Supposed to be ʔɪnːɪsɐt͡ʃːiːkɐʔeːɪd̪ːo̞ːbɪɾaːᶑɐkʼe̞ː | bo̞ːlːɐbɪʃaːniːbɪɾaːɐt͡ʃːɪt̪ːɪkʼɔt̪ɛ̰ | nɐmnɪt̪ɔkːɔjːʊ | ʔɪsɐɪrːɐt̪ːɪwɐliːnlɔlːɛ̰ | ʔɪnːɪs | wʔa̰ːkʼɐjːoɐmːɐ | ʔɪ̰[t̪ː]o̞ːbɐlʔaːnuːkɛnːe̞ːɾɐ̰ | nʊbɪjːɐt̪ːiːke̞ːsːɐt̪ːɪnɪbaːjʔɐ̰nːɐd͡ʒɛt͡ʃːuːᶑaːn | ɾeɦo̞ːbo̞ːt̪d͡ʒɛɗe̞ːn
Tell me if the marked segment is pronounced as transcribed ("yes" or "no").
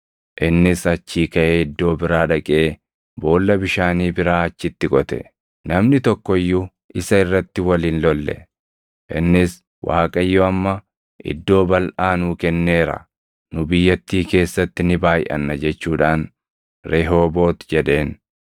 no